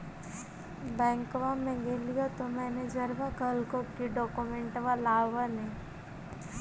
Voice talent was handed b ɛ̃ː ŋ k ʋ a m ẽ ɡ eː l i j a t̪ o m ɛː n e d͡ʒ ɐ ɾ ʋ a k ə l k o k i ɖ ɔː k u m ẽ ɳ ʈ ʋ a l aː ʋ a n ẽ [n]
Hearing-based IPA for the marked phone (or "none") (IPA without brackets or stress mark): none